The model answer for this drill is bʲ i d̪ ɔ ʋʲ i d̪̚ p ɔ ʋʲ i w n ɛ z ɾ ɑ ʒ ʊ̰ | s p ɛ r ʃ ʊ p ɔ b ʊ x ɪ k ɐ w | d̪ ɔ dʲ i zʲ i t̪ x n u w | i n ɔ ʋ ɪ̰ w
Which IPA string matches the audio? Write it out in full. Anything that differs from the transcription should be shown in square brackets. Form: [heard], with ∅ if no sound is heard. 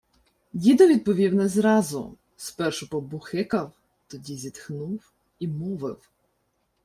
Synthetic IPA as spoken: [dʲ] i d̪ ɔ ʋʲ i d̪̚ p ɔ ʋʲ i w n ɛ z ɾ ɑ [z] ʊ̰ | s p ɛ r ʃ ʊ p ɔ b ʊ x ɪ k ɐ w | [t̪] ɔ dʲ i zʲ i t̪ x n u w | i [m] ɔ ʋ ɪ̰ w

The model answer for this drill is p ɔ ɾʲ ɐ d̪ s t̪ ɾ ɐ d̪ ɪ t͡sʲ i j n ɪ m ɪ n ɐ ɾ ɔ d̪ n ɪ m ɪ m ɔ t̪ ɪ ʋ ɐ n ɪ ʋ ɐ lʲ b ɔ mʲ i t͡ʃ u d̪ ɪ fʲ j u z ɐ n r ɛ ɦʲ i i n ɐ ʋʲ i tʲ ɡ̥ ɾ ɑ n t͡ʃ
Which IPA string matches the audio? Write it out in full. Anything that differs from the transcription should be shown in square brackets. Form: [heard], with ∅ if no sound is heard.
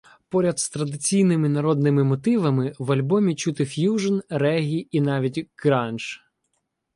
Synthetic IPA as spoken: p ɔ ɾʲ ɐ d̪ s t̪ ɾ ɐ d̪ ɪ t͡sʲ i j n ɪ m ɪ n ɐ ɾ ɔ d̪ n ɪ m ɪ m ɔ t̪ ɪ ʋ ɐ [m] ɪ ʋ ɐ lʲ b ɔ mʲ i t͡ʃ u [t̪] ɪ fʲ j u [ʒ] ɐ n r ɛ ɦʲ i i n [ɑ] ʋʲ i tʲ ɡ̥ ɾ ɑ n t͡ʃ

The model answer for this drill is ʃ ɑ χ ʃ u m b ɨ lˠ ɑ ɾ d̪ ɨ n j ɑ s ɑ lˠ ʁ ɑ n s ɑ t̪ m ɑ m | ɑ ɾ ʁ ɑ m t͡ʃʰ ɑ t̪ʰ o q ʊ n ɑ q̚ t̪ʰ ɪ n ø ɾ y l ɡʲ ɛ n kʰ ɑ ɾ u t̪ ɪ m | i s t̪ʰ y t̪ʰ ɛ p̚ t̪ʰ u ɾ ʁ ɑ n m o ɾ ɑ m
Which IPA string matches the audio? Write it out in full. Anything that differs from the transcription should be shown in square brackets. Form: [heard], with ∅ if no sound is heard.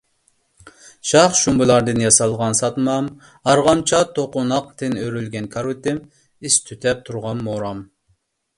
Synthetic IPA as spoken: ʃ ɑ χ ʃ u m b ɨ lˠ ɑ ɾ d̪ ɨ n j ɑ s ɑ lˠ ʁ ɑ n s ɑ t̪ m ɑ m | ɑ ɾ ʁ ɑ m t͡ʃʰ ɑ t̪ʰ o q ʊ n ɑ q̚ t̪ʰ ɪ n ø ɾ y l ɡʲ ɛ n kʰ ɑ ɾ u t̪ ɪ m | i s t̪ʰ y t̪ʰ ɛ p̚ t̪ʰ u ɾ ʁ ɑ n m o ɾ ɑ m

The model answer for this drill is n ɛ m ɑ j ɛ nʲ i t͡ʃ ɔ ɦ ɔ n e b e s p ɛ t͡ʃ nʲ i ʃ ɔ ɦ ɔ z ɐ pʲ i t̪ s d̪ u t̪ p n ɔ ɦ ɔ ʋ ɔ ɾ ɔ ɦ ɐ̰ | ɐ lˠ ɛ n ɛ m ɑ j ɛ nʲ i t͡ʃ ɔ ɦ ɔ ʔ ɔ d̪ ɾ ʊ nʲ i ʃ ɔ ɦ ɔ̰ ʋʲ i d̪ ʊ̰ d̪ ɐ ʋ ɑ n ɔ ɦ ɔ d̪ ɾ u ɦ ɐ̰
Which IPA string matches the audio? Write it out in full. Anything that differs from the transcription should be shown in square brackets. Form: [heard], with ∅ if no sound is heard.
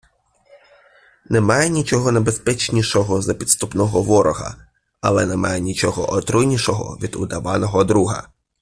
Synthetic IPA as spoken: n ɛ m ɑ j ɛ nʲ i t͡ʃ ɔ ɦ ɔ n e b e s p ɛ t͡ʃ nʲ i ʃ ɔ ɦ ɔ z ɐ pʲ i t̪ s [t̪] u [∅] p n ɔ ɦ ɔ ʋ ɔ ɾ ɔ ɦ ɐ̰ | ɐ lˠ ɛ n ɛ m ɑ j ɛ nʲ i t͡ʃ ɔ ɦ ɔ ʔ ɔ [t̪] ɾ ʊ nʲ i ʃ ɔ ɦ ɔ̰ ʋʲ i d̪ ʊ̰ d̪ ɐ ʋ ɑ n ɔ ɦ ɔ d̪ ɾ u ɦ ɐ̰

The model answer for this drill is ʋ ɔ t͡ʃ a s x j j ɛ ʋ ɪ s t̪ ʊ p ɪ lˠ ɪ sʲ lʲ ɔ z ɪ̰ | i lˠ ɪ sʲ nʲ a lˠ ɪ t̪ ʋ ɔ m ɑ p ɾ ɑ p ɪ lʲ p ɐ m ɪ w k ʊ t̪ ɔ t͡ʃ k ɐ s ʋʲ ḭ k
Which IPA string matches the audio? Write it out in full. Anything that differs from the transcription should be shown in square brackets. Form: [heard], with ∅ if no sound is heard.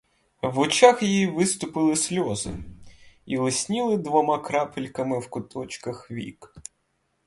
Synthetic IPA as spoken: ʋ ɔ t͡ʃ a [∅] x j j [i] ʋ ɪ s t̪ ʊ p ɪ lˠ ɪ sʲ lʲ ɔ z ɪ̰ | i lˠ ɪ sʲ nʲ [i] lˠ ɪ [d̪] ʋ ɔ m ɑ [k] ɾ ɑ p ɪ lʲ [k] ɐ m ɪ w k ʊ t̪ ɔ t͡ʃ k ɐ [x] ʋʲ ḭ k

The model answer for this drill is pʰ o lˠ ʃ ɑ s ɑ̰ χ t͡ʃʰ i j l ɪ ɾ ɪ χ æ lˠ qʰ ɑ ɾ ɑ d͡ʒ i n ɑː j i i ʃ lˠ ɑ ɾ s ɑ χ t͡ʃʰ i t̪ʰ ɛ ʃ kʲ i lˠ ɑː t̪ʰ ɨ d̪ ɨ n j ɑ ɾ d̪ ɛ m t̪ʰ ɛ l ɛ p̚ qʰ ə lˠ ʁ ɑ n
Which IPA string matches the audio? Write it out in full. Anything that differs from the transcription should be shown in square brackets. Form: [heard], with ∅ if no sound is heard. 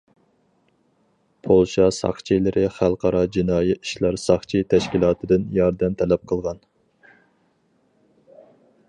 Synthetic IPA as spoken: pʰ o lˠ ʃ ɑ s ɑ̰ χ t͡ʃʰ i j l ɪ ɾ ɪ χ æ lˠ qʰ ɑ ɾ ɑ d͡ʒ i n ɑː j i i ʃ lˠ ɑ ɾ s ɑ χ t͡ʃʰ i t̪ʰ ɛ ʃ kʲ i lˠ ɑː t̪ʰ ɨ d̪ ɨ n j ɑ ɾ d̪ ɛ m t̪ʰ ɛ l ɛ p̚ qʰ ə lˠ ʁ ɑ n

